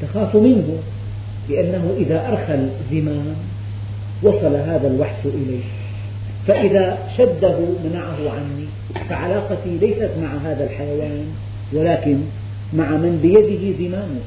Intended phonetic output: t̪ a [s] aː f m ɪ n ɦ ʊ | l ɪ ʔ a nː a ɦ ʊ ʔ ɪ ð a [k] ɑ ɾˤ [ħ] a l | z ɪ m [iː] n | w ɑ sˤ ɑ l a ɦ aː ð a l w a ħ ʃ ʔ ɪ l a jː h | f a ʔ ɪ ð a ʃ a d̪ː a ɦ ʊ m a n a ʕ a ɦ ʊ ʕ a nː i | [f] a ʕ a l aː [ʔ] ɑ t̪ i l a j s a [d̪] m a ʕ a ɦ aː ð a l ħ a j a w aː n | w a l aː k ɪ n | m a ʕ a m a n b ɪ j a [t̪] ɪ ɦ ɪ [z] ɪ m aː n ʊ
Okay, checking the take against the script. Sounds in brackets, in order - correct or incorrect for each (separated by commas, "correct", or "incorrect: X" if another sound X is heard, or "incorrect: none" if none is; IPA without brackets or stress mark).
incorrect: x, incorrect: ʔ, incorrect: x, incorrect: aː, correct, incorrect: q, incorrect: t̪, incorrect: d̪, correct